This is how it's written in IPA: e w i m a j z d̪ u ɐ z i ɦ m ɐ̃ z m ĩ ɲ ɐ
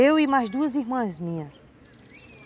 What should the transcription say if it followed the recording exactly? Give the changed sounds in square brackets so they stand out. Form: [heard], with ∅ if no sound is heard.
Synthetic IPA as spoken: e w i m a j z d̪ u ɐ z i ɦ m ɐ̃ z m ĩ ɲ ɐ